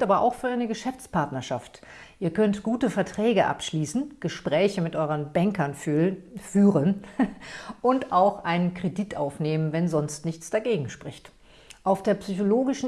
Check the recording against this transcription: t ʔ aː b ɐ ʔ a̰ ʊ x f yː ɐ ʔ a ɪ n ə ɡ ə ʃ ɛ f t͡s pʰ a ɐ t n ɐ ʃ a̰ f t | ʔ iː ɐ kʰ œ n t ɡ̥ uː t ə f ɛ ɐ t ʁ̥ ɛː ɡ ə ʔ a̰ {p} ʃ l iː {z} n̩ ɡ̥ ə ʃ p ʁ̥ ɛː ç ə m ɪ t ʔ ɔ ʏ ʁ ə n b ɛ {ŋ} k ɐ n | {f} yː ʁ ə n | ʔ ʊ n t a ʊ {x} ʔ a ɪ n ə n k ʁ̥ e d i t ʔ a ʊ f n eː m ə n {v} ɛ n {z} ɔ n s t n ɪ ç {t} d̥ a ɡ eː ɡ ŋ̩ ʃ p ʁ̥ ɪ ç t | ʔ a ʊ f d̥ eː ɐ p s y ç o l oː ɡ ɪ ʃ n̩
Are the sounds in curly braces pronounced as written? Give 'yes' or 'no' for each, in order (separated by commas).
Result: yes, no, yes, yes, yes, yes, yes, no